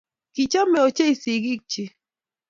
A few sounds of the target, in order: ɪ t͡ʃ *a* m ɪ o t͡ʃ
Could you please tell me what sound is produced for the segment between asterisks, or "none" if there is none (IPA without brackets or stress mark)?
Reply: a